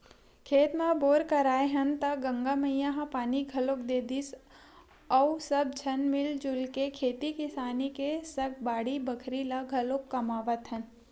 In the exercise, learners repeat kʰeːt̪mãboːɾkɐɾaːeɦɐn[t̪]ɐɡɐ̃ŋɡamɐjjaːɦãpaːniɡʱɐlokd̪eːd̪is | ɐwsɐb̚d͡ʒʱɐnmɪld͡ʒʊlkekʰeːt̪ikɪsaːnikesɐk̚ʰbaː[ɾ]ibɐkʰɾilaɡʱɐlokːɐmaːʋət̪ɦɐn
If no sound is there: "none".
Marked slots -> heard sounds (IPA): t̪, ɽ

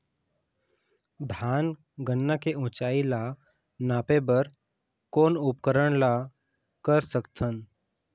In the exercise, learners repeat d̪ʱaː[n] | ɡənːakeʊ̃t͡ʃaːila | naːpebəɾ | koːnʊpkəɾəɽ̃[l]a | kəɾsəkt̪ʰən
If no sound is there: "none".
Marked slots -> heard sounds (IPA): n, l

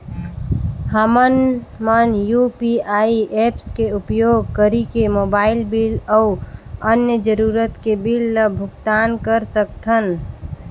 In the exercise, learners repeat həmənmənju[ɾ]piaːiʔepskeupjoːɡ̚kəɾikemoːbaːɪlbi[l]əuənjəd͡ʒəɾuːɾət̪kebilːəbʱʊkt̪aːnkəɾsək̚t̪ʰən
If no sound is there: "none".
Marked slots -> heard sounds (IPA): none, l

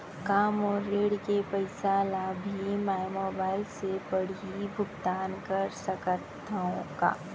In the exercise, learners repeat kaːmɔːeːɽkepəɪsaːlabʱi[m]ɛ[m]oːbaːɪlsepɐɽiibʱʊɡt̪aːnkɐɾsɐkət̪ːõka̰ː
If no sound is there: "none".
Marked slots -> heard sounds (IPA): m, m

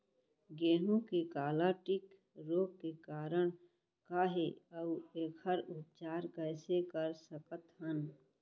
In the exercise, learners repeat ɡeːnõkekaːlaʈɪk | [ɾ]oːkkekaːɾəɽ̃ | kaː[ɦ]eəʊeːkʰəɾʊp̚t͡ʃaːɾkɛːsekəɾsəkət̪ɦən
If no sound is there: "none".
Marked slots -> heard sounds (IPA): ɾ, ɦ

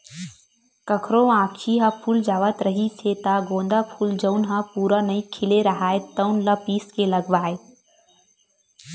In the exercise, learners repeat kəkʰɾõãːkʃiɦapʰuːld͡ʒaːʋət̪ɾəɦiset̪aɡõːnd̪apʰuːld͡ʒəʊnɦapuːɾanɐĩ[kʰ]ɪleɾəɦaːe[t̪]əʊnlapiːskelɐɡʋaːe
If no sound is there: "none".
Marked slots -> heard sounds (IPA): kʰ, t̪

